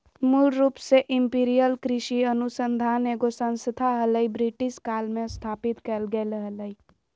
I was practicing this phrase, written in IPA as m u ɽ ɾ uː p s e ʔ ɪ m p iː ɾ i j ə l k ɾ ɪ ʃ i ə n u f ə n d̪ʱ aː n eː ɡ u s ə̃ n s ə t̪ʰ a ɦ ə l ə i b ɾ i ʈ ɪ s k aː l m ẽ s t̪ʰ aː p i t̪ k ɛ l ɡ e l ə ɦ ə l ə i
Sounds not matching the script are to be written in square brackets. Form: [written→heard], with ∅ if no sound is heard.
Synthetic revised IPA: m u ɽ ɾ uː p s e ʔ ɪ m p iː ɾ i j ə l k ɾ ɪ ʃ i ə n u [f→s] ə n d̪ʱ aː n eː ɡ [u→o] s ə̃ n s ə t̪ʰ a ɦ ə l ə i b ɾ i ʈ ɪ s k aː l m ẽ s t̪ʰ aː p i t̪ k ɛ l ɡ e l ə ɦ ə l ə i